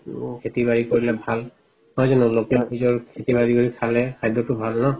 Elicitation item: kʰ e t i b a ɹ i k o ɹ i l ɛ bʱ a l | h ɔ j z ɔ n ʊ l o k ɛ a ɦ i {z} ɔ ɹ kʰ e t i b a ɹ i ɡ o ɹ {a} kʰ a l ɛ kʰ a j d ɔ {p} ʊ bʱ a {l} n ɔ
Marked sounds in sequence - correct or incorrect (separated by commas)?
correct, incorrect, incorrect, correct